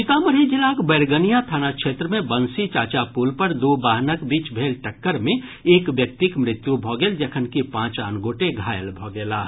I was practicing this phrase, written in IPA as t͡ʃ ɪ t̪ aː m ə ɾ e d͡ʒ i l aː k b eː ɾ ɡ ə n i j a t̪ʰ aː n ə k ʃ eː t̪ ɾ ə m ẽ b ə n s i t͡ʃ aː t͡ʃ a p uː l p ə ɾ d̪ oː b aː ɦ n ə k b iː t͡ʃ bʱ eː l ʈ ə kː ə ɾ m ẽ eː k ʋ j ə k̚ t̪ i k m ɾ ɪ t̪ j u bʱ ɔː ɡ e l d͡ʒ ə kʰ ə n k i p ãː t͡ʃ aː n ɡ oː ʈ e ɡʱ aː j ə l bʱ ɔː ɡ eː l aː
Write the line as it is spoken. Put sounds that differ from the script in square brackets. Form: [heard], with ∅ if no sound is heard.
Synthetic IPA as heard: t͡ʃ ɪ t̪ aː m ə ɾ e d͡ʒ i l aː k b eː ɾ ɡ ə n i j a t̪ʰ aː n [a] k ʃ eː t̪ ɾ ə m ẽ b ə n s i t͡ʃ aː t͡ʃ a p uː l p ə ɾ d̪ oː b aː ɦ n ə k b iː t͡ʃ bʱ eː l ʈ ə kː ə ɾ m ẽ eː k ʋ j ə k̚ t̪ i k m ɾ ɪ t̪ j u bʱ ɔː ɡ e l d͡ʒ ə kʰ ə n k i p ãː t͡ʃ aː n ɡ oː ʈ e ɡʱ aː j ə l bʱ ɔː ɡ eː l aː